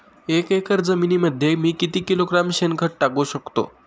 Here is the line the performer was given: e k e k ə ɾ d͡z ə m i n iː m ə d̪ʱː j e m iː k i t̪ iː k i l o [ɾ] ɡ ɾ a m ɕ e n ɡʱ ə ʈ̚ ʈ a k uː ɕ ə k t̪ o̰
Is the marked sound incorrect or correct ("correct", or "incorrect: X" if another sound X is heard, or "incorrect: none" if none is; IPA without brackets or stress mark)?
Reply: incorrect: none